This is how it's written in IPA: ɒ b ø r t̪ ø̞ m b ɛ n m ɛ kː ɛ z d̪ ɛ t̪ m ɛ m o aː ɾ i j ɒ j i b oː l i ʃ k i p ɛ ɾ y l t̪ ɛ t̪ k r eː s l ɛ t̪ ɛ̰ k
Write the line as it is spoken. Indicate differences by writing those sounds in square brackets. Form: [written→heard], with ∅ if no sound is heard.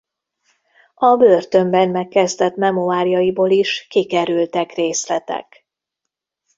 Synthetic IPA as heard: ɒ b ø r t̪ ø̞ m b ɛ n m ɛ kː ɛ z d̪ ɛ t̪ m ɛ m o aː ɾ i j ɒ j i b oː l i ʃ k i [p→k] ɛ ɾ y l t̪ ɛ [t̪→∅] k r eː s l ɛ t̪ ɛ̰ k